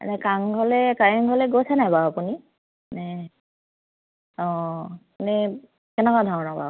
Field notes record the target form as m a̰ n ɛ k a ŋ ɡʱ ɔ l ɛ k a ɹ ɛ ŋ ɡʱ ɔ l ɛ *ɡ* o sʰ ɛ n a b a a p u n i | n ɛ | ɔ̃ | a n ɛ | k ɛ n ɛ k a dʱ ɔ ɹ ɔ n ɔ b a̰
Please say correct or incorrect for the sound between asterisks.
correct